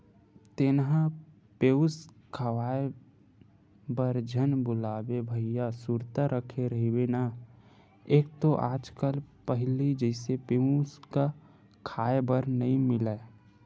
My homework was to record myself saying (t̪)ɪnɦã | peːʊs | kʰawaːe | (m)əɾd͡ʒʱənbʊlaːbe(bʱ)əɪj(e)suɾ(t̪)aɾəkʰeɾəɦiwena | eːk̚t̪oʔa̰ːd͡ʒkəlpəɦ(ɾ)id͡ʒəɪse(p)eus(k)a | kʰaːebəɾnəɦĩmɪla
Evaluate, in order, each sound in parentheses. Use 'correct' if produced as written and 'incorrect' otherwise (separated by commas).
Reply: correct, incorrect, correct, incorrect, correct, incorrect, correct, correct